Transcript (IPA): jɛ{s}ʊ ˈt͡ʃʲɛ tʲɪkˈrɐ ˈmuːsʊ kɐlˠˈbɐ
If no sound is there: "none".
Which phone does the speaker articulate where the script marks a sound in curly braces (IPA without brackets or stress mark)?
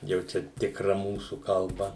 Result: none